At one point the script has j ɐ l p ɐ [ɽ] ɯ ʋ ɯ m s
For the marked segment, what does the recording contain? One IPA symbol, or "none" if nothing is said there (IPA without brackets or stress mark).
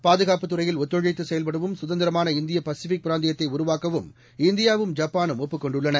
ɽ